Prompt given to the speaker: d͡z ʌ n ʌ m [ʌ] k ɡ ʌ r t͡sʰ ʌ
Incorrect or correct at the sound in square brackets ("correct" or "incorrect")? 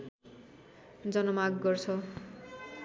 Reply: incorrect